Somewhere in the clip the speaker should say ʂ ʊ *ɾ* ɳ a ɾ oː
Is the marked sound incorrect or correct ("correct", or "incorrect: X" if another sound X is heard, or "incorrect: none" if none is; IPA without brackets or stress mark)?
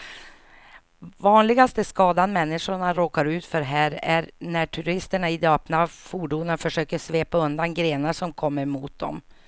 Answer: incorrect: none